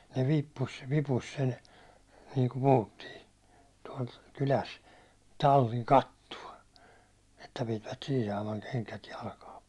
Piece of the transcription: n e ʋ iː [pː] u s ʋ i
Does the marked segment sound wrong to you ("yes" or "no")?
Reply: no